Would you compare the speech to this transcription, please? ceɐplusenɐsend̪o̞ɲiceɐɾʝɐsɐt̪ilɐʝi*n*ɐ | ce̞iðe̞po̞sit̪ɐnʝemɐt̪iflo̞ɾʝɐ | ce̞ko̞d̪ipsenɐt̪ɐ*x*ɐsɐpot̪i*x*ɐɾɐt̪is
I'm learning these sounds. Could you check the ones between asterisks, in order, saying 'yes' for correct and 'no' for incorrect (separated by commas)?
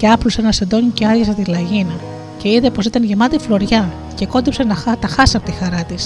yes, yes, yes